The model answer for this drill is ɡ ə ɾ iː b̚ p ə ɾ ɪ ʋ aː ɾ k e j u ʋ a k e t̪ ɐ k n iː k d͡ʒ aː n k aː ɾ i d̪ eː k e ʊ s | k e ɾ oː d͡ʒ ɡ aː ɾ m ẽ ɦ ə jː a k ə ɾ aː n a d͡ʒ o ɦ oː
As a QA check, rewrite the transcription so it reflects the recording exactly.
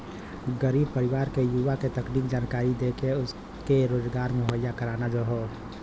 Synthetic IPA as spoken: ɡ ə ɾ iː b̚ p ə ɾ ɪ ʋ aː ɾ k e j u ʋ a k e t̪ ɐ k n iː k d͡ʒ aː n k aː ɾ i d̪ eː k e ʊ s | k e ɾ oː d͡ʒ ɡ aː ɾ m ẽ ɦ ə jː a k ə ɾ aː n a d͡ʒ o ɦ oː